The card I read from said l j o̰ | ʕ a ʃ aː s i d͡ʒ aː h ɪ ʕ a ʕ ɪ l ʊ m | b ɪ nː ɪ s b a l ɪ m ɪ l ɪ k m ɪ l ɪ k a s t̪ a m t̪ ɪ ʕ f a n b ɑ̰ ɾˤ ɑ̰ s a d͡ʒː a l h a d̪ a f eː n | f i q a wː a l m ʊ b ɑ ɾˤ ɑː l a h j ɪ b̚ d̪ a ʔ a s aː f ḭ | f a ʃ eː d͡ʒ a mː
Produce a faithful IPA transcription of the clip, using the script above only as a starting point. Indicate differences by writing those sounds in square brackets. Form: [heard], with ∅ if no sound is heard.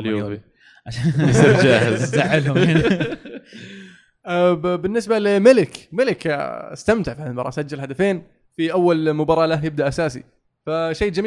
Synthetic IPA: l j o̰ | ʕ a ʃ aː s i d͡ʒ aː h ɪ [z] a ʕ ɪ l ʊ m | b ɪ nː ɪ s b a l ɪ m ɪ l ɪ k m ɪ l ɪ k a s t̪ a m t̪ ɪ ʕ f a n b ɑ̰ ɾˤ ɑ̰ s a d͡ʒː a l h a d̪ a f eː n | f i [ʔ] a wː a l m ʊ b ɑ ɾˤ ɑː l a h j ɪ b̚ d̪ a ʔ a s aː [s] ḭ | f a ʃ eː d͡ʒ a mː